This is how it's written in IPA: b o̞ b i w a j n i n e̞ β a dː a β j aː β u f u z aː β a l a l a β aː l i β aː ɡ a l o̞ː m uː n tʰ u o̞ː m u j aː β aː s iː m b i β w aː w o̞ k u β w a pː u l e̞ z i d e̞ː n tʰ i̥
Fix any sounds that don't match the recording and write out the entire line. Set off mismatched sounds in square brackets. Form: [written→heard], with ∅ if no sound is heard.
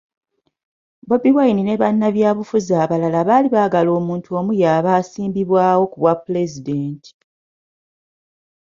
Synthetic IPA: b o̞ b i w a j n i n e̞ β a [dː→nː] a β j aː β u f u z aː β a l a l a β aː l i β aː ɡ a l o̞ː m uː n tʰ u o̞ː m u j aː β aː s iː m b i β w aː w o̞ k u β w a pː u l e̞ z i d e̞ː n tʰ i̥